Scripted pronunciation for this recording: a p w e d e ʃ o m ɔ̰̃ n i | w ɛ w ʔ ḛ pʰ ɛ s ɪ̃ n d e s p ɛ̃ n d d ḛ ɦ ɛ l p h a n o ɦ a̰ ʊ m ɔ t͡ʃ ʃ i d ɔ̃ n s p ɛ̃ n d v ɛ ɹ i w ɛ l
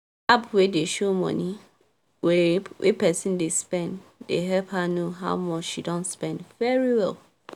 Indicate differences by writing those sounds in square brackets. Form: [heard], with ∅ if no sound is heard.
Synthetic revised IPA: a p w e d e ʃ o m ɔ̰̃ n i | w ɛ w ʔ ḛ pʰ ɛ s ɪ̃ n d e s p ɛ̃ n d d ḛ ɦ ɛ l p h a n o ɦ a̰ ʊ m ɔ t͡ʃ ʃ i d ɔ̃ n s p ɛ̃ n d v ɛ ɹ i w ɛ l